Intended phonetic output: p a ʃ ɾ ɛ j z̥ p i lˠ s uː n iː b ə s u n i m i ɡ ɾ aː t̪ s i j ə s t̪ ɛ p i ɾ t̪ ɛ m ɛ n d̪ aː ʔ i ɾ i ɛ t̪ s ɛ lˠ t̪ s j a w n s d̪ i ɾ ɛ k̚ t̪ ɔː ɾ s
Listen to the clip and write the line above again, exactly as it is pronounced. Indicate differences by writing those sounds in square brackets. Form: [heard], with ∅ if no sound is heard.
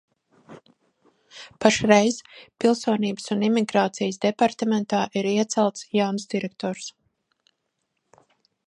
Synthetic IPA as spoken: p a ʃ ɾ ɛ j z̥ p i lˠ s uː n iː b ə s u n i m i ɡ ɾ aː t̪ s i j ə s [d̪] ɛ p [a] ɾ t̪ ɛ m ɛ n [t̪] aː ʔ i ɾ i ɛ t̪ s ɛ lˠ t̪ s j a w n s d̪ i ɾ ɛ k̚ t̪ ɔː ɾ s